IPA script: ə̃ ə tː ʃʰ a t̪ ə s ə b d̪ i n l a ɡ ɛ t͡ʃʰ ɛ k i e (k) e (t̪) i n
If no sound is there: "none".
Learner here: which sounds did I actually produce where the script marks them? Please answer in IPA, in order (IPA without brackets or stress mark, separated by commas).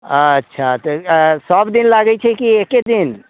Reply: k, d̪